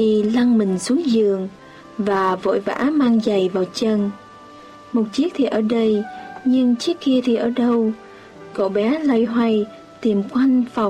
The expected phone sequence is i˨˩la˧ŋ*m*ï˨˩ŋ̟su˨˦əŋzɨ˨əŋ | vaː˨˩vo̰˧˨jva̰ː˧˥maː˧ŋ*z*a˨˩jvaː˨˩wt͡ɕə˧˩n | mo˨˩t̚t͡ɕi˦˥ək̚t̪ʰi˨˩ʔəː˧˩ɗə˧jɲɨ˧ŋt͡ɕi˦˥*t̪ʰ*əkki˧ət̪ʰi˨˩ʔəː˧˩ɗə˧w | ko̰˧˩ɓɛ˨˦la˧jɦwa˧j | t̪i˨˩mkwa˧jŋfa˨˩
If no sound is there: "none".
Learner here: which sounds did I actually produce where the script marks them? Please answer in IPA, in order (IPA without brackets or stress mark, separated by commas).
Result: m, z, none